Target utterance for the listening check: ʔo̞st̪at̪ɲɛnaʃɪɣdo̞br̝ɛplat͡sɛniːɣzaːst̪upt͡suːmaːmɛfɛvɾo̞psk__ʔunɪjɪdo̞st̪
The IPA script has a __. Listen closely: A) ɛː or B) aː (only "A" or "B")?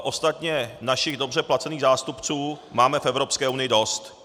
A